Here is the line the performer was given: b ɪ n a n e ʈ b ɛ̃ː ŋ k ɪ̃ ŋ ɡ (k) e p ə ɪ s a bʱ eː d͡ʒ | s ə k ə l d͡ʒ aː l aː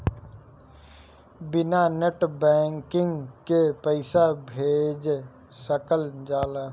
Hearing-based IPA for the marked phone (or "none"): k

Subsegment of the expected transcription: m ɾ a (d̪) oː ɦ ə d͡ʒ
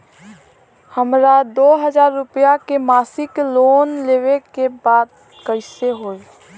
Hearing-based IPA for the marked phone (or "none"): d̪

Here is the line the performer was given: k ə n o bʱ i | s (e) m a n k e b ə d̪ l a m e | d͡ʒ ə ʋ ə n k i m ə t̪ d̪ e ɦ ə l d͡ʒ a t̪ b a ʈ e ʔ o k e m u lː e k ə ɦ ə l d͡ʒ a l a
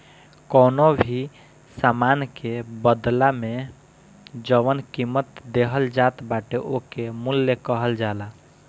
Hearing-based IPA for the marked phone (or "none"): a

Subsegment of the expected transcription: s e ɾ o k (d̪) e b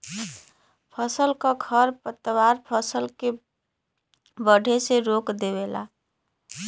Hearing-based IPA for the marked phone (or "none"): d̪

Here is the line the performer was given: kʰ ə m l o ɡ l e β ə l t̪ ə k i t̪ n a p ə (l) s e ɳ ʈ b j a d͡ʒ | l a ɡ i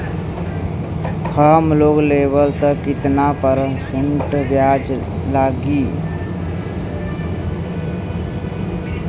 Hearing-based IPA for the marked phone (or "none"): ɾ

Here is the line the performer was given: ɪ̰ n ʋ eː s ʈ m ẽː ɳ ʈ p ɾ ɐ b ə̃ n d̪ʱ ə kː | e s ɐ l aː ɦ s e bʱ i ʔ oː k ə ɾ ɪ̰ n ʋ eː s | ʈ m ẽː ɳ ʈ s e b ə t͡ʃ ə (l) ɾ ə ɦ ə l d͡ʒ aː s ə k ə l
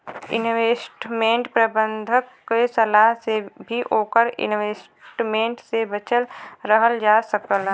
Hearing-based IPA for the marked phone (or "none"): l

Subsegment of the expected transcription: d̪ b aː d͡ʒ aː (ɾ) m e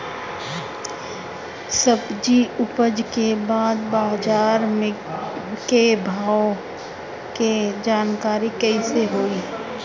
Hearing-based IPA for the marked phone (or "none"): ɾ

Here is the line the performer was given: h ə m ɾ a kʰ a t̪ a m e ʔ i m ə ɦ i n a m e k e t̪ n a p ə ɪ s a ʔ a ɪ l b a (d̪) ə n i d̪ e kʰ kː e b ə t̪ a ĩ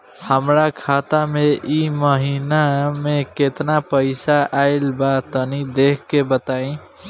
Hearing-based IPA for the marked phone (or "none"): t̪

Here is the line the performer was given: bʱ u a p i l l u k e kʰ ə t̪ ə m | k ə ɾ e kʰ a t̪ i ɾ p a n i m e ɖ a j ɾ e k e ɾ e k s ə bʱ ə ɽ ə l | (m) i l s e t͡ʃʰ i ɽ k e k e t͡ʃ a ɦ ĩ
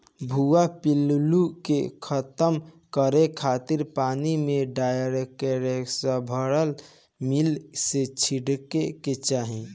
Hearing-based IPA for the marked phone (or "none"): m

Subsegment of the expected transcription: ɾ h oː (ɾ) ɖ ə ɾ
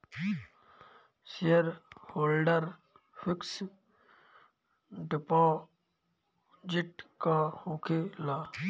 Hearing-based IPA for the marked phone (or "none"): l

